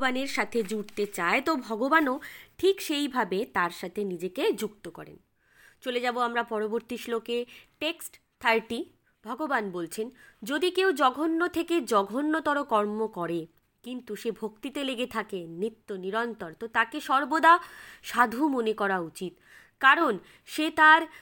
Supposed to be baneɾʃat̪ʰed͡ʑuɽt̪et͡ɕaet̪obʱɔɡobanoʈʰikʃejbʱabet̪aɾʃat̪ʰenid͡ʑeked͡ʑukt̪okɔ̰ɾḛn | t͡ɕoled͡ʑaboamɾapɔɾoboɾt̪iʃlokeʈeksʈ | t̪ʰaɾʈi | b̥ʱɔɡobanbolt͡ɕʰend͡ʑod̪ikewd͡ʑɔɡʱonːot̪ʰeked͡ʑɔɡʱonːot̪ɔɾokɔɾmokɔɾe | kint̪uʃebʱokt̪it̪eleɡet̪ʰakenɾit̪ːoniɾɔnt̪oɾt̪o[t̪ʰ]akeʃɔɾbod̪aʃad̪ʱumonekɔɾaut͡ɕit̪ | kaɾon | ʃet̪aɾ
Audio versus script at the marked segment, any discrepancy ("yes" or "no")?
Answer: yes